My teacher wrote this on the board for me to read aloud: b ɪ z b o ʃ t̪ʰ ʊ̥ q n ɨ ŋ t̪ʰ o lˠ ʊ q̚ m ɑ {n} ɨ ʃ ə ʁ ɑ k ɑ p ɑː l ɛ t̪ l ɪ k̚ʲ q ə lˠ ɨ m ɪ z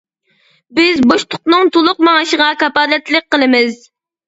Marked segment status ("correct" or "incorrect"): incorrect